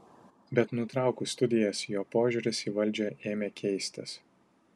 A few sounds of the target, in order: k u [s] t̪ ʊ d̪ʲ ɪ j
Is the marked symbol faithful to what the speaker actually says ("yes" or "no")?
yes